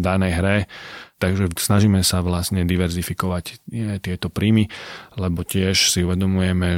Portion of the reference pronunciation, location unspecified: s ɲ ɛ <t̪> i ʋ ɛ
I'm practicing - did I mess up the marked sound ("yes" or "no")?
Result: yes